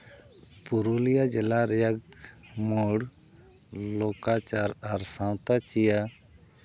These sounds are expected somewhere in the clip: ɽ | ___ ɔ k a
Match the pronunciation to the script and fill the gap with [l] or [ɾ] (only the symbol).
l